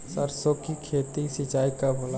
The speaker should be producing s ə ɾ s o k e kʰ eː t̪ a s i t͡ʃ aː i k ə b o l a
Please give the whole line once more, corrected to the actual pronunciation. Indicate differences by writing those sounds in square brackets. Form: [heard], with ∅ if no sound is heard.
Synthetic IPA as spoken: s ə ɾ s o k [i] kʰ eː t̪ [i] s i t͡ʃ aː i k [a] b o l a